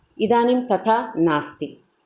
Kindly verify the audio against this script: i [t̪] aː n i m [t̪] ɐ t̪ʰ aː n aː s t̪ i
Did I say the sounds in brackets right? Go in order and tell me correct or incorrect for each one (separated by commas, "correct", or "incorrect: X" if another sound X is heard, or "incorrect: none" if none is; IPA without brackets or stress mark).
incorrect: d̪, correct